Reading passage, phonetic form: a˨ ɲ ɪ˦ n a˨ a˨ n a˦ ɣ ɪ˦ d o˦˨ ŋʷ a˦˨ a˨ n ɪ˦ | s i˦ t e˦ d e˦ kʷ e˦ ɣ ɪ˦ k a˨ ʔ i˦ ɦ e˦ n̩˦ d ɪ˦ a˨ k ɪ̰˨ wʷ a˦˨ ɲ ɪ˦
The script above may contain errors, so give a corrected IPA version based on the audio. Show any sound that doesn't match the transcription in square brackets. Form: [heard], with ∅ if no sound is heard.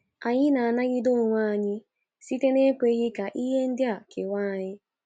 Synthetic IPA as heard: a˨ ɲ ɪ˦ n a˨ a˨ n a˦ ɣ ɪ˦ d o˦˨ ŋʷ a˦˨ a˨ [ɲ] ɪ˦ | s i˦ t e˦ [n] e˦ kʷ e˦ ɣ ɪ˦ k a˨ ʔ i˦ ɦ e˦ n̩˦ d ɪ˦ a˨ k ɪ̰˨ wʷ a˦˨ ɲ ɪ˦

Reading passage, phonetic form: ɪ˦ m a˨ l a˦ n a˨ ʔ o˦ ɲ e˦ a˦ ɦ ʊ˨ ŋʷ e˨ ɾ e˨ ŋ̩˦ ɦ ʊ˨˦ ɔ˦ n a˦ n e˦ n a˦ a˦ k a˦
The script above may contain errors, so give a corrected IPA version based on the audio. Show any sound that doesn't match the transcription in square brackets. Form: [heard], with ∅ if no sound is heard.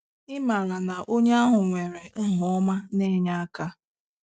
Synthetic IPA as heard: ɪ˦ m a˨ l [a˨] n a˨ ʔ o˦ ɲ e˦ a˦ ɦ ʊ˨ ŋʷ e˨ ɾ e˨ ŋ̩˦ ɦ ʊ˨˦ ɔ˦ [m] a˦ n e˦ [ɲ] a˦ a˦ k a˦

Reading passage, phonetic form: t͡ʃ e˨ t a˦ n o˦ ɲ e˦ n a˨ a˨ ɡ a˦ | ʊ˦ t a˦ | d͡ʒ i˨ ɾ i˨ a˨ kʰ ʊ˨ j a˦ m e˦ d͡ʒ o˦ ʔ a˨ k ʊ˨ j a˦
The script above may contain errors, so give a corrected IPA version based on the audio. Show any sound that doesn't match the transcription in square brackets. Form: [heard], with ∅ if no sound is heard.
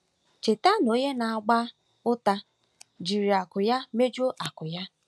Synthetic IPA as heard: t͡ʃ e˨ t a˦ n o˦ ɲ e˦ n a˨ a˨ [ɡ͡b] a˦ | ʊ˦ t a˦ | d͡ʒ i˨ ɾ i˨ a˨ [k] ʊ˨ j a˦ m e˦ d͡ʒ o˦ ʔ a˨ k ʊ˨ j a˦

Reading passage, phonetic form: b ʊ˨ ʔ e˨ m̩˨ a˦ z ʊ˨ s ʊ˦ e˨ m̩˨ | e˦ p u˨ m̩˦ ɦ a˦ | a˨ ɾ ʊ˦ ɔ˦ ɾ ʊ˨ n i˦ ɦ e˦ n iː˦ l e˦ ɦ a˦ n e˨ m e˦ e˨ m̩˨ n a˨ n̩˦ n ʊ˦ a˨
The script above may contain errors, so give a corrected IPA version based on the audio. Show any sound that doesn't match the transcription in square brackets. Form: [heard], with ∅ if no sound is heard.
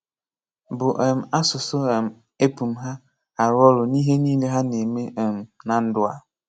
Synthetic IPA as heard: b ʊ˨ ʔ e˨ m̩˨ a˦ [s] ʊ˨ s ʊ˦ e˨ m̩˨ | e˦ p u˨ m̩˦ ɦ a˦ | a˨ ɾ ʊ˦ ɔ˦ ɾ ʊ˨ n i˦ ɦ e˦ n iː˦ l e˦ ɦ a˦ n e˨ m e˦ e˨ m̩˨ n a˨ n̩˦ [d] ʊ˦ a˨

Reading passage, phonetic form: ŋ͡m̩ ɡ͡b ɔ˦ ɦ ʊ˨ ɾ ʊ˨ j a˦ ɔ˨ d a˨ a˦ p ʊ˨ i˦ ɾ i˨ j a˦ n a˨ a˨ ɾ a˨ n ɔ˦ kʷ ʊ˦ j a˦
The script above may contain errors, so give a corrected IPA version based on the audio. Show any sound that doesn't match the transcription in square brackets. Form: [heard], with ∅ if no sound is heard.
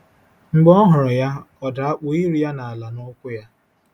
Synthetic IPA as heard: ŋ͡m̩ ɡ͡b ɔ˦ ɦ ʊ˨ ɾ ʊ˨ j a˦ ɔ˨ d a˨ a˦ [k͡p] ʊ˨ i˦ ɾ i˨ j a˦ n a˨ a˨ [l] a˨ n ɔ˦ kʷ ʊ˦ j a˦

